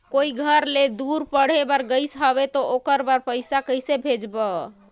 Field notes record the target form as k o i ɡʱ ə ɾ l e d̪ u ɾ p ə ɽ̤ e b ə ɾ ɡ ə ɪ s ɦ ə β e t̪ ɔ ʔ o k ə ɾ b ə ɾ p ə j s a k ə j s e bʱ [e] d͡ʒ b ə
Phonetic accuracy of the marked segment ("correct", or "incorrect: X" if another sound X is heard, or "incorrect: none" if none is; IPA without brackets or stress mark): correct